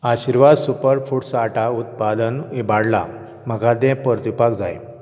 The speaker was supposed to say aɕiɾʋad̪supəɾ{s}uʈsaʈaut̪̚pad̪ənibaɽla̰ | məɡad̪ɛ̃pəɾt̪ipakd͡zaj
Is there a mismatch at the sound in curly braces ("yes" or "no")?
yes